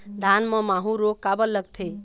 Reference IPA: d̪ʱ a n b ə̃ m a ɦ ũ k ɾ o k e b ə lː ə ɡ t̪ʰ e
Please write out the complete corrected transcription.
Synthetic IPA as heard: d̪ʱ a n m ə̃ m a ɦ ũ ɾ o k a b ə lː ə ɡ t̪ʰ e